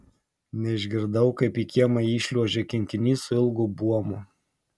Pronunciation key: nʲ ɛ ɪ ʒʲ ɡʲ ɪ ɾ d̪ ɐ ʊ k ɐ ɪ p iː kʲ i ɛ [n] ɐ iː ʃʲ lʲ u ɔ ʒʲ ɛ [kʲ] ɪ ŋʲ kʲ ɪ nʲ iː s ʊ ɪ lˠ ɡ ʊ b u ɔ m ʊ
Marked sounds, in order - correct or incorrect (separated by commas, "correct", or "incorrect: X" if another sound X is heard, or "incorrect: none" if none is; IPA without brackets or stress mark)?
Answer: incorrect: m, correct